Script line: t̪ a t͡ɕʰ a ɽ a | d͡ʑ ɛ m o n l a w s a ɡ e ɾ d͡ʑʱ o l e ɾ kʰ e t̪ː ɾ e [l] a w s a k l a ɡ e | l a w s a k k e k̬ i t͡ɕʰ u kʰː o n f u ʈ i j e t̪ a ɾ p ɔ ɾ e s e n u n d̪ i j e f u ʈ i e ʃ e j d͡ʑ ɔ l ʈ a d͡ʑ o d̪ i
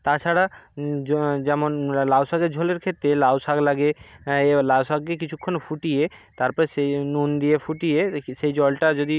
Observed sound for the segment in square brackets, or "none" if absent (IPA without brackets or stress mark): l